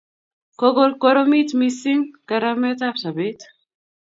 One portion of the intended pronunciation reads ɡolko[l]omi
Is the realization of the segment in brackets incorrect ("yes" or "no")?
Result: yes